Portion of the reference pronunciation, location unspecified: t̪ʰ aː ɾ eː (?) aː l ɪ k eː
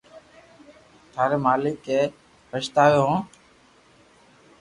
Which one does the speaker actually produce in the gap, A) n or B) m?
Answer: B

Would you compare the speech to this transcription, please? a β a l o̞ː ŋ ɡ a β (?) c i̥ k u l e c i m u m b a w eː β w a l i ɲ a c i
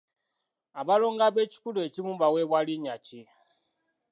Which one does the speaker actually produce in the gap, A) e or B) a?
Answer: A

